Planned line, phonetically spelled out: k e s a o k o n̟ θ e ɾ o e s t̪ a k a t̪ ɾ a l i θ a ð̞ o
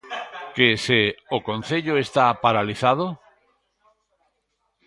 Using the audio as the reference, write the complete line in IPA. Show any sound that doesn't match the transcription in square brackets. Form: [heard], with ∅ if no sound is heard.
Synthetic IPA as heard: k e s [e] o k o n̟ θ e [ʎ] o e s t̪ a [p] a [∅] ɾ a l i θ a ð̞ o

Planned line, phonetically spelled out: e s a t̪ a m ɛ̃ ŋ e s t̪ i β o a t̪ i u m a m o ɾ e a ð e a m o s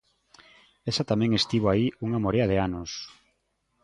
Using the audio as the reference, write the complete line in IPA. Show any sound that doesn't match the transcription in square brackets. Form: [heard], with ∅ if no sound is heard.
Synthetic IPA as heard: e s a t̪ a m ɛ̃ ŋ e s t̪ i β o a [∅] i u [ŋ] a m o ɾ e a ð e a [n] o s

